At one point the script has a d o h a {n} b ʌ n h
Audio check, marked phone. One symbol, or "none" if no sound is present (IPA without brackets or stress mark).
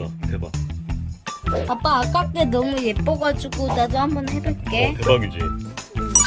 m